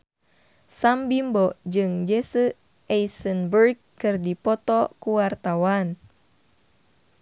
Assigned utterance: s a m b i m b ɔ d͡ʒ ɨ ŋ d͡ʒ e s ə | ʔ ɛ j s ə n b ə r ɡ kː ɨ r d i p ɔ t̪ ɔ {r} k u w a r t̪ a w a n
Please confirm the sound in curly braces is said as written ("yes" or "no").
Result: no